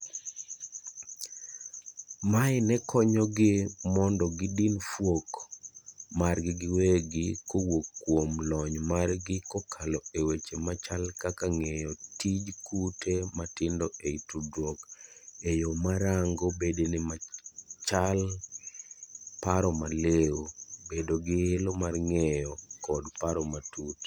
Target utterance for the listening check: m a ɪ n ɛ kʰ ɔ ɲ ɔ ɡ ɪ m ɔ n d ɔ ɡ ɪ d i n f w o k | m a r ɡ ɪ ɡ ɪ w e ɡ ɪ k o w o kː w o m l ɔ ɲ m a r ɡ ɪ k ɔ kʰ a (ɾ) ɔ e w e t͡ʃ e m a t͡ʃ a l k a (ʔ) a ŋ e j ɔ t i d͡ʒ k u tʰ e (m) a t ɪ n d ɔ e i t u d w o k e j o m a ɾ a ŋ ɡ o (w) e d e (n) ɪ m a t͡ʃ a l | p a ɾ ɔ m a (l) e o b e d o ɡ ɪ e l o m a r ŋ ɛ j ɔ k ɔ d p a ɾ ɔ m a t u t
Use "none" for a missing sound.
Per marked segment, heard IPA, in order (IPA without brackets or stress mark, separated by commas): l, k, m, b, n, l